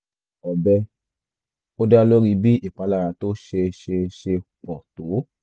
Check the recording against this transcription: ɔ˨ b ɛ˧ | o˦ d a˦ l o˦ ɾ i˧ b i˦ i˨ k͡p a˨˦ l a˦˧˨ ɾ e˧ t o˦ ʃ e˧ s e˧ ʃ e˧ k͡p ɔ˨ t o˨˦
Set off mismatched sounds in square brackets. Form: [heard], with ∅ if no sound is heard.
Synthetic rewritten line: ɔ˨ b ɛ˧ | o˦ d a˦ l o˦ ɾ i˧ b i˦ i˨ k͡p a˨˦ l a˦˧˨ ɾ [a˧] t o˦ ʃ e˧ [ʃ] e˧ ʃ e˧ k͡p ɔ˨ t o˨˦

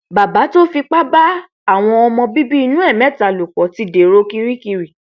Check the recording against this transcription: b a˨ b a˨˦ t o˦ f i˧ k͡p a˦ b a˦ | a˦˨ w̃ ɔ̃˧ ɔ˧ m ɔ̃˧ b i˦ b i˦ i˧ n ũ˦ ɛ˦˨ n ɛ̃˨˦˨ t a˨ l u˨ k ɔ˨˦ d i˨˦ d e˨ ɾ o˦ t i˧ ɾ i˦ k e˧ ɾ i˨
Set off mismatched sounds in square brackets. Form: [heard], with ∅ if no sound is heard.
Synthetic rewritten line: b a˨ b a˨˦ t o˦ f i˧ k͡p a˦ b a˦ | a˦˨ w̃ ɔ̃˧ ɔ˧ m ɔ̃˧ b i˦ b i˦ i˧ n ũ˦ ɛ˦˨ [m] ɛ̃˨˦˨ t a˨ l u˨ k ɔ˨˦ [t] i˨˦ d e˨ ɾ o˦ [k] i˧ ɾ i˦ k [i˧] ɾ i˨

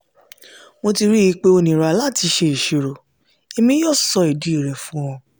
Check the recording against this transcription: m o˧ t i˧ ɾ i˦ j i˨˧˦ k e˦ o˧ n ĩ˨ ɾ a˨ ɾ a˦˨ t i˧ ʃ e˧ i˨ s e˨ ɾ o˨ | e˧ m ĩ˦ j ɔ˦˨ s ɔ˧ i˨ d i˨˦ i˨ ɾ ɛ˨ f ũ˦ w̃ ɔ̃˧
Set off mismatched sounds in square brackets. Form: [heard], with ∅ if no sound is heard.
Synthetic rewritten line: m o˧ t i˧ ɾ i˦ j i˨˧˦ [k͡p] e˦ o˧ n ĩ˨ ɾ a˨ [l] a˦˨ t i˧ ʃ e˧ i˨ [ʃ] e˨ ɾ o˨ | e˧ m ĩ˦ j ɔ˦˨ s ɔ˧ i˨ d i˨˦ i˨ ɾ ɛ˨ f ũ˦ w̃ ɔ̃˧

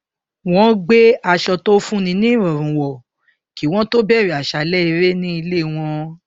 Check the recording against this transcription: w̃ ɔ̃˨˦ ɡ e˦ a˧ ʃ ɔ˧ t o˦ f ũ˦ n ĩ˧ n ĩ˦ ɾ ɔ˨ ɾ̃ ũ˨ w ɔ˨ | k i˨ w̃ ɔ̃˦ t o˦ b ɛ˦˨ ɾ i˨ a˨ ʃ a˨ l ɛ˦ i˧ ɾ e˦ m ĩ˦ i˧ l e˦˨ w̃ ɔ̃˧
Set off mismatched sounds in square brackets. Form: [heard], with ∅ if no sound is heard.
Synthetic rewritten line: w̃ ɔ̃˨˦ [ɡ͡b] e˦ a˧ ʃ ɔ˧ t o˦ f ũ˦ n ĩ˧ n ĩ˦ ɾ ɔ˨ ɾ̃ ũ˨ w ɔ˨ | k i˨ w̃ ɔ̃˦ t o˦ b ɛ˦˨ ɾ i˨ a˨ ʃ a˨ l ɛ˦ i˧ ɾ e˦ [n] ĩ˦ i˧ l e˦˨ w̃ ɔ̃˧

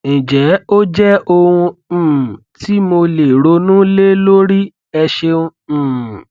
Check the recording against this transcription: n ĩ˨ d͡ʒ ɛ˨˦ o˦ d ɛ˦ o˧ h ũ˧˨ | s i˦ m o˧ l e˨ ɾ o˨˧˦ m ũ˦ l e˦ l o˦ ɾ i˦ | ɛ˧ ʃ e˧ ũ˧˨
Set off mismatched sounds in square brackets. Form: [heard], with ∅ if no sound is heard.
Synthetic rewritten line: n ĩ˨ d͡ʒ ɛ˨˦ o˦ [d͡ʒ] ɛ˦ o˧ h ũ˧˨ | [t] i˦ m o˧ l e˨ ɾ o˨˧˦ [n] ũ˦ l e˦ l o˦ ɾ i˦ | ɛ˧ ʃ e˧ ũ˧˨

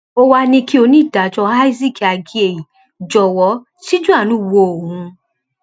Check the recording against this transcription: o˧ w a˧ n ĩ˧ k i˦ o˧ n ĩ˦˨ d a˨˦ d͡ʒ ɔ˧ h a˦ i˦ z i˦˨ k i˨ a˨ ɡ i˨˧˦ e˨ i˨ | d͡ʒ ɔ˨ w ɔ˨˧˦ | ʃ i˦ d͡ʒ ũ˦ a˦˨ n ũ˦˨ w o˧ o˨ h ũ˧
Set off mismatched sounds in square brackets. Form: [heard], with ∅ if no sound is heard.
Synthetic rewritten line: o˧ w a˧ n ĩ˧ k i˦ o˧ n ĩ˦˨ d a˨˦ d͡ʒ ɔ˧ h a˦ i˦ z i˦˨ k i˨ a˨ ɡ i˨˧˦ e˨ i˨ | d͡ʒ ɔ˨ w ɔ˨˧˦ | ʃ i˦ d͡ʒ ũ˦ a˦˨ n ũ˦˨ w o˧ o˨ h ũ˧

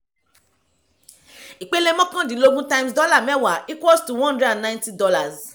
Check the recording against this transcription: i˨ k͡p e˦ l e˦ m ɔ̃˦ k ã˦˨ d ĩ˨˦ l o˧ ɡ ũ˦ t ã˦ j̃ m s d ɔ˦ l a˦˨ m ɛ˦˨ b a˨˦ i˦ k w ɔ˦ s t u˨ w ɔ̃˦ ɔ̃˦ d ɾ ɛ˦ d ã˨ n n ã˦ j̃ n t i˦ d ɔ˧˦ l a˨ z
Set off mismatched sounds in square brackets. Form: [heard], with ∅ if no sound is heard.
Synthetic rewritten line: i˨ k͡p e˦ l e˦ m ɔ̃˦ k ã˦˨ d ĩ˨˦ l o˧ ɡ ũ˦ t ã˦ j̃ m s d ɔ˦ l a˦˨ m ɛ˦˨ [w] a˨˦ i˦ k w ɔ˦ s t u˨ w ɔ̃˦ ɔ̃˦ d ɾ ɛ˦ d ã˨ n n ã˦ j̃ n t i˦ d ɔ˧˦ l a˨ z

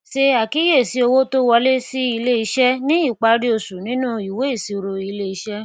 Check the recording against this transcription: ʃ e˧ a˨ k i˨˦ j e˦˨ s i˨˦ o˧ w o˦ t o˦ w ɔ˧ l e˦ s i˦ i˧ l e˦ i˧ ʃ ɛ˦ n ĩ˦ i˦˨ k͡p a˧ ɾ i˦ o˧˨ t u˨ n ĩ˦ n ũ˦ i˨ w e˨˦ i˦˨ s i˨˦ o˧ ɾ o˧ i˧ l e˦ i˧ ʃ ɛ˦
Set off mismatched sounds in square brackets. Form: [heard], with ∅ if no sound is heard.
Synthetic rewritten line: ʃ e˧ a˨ k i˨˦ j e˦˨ s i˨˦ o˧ w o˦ t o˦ w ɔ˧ l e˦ s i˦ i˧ l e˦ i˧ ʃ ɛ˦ n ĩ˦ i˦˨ k͡p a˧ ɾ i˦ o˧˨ [s] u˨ n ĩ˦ n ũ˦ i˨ w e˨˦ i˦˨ s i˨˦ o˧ ɾ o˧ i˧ l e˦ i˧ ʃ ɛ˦

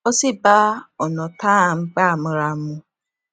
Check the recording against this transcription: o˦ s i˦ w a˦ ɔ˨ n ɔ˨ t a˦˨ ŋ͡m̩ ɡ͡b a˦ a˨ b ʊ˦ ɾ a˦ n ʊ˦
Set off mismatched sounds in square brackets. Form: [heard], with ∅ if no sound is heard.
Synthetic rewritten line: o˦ s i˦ [b] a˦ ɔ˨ n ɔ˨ t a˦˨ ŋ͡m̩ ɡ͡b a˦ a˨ [m] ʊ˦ ɾ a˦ [m] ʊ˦

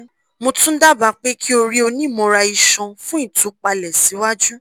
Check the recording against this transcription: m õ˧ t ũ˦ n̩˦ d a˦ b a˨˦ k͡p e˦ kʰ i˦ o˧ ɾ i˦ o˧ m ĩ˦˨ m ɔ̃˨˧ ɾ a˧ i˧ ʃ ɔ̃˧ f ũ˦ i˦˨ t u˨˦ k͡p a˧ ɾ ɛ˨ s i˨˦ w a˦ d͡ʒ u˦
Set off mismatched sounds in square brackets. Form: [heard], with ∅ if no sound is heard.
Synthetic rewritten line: m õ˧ t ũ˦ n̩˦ d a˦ b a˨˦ k͡p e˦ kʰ i˦ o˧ ɾ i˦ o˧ [n] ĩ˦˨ m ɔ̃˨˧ ɾ a˧ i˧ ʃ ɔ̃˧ f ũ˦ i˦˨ t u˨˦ k͡p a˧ [l] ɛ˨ s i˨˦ w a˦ d͡ʒ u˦

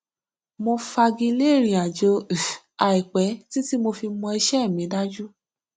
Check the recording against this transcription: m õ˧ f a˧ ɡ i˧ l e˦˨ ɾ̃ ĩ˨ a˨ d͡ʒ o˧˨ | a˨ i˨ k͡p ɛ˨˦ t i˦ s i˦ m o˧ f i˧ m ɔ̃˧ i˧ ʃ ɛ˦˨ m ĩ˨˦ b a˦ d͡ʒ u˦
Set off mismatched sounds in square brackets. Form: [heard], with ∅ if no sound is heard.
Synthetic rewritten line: m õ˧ f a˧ ɡ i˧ l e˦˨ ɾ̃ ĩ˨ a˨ d͡ʒ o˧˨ | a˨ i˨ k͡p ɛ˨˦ t i˦ [t] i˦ m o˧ f i˧ m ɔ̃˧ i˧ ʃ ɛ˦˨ m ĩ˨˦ [d] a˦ d͡ʒ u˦

